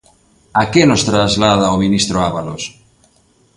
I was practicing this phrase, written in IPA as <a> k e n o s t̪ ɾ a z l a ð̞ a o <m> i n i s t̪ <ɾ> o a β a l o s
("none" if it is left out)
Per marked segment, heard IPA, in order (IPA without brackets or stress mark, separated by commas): a, m, ɾ